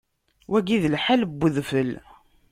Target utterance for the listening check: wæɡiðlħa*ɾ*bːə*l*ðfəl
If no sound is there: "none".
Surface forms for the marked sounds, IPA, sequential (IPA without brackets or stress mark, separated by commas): l, none